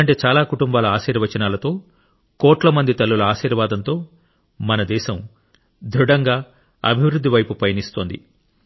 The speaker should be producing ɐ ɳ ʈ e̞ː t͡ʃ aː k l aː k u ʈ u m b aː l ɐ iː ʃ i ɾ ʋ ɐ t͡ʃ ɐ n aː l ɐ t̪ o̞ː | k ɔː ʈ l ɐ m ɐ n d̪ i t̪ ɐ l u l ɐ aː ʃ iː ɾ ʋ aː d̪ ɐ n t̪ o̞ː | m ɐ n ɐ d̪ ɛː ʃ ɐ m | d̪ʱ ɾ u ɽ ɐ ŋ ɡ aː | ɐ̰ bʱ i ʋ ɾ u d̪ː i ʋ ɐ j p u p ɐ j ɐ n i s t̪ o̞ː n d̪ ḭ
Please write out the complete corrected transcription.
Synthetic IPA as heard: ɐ ɳ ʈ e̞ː t͡ʃ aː l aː k u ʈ u m b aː l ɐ aː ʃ iː ɾ ʋ ɐ t͡ʃ ɐ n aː l ɐ t̪ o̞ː | k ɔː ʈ l ɐ m ɐ n d̪ i t̪ ɐ lː u l ɐ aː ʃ iː ɾ ʋ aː d̪ ɐ n t̪ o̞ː | m ɐ n ɐ d̪ ɛː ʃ ɐ m | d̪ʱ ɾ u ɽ ɐ ŋ ɡ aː | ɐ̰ bʱ i ʋ ɾ u d̪ː i ʋ ɐ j p u p ɐ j ɐ n i s t̪ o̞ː n d̪ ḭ

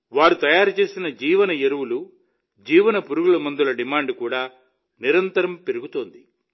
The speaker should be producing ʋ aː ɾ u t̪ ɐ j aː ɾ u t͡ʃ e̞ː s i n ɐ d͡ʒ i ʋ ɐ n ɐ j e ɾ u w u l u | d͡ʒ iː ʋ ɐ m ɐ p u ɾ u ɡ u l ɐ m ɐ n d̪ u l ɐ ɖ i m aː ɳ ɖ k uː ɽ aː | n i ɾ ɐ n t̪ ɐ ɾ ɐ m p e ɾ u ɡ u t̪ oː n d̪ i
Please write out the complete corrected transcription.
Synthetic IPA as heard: ʋ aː ɾ u t̪ ɐ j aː ɾ u t͡ʃ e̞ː s i n ɐ d͡ʒ iː ʋ ɐ n ɐ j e ɾ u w u l u | d͡ʒ iː ʋ ɐ n ɐ p u ɾ u ɡ u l ɐ m ɐ n d̪ u l ɐ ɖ i m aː ɳ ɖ k uː ɽ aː | n i ɾ ɐ n t̪ ɐ ɾ ɐ m p e ɾ u ɡ u t̪ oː n d̪ i

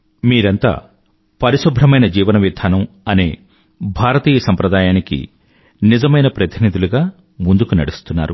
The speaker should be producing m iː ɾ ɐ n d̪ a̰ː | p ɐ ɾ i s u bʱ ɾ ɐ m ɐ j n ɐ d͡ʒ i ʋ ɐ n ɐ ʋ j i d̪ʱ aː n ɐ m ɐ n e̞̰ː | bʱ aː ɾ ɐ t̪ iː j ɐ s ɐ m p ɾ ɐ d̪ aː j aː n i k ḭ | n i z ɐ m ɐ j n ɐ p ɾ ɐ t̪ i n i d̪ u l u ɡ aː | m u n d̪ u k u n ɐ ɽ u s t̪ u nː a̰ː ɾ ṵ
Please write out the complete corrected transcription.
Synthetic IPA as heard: m iː ɾ ɐ n t̪ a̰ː | p ɐ ɾ i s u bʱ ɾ ɐ m ɐ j n ɐ d͡ʒ iː ʋ ɐ n ɐ ʋ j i d̪ʱ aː n ɐ m ɐ n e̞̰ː | bʱ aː ɾ ɐ t̪ iː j ɐ s ɐ m p ɾ ɐ d̪ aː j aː n i k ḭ | n i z ɐ m ɐ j n ɐ p ɾ ɐ t̪ i n i d̪ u l u ɡ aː | m u n d̪ u k u n ɐ ɽ u s t̪ u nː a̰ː ɾ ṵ

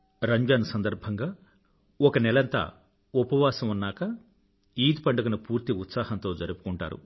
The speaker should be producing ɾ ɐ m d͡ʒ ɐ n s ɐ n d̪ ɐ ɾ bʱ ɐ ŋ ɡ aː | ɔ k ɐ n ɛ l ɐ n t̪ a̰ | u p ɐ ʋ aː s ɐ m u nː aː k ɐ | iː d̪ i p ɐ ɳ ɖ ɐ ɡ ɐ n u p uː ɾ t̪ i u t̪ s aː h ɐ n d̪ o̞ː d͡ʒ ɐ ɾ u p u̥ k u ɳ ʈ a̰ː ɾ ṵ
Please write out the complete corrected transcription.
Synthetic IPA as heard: ɾ ɐ ɲ d͡ʒ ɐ n s ɐ n d̪ ɐ ɾ bʱ ɐ ŋ ɡ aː | ɔ k ɐ n ɛ l ɐ n t̪ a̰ | u p ɐ ʋ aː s ɐ m u nː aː k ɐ | iː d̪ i p ɐ ɳ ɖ ɐ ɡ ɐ n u p uː ɾ t̪ i u t̪ s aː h ɐ n t̪ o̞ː d͡ʒ ɐ ɾ u p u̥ k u ɳ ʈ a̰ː ɾ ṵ

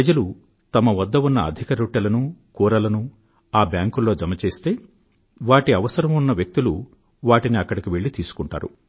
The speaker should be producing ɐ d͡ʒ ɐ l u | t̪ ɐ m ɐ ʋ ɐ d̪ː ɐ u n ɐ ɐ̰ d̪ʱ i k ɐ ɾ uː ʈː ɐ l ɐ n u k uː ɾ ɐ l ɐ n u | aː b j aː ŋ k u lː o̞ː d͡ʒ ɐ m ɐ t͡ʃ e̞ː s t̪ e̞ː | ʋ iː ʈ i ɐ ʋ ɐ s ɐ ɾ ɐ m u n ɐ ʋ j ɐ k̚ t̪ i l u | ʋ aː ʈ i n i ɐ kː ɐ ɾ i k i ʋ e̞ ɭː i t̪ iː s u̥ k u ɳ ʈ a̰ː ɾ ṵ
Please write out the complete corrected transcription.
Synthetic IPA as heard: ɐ d͡ʒ ɐ l u | t̪ ɐ m ɐ ʋ ɐ d̪ː ɐ u nː ɐ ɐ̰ d̪ʱ i k ɐ ɾ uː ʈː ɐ l ɐ n u k uː ɾ ɐ l ɐ n u | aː b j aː ŋ k u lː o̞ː d͡ʒ ɐ m ɐ t͡ʃ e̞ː s t̪ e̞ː | ʋ aː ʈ i ɐ ʋ ɐ s ɐ ɾ ɐ m u nː ɐ ʋ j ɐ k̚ t̪ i l u | ʋ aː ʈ i n i ɐ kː ɐ ɽ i k i ʋ e̞ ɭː i t̪ iː s u̥ k u ɳ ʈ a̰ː ɾ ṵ

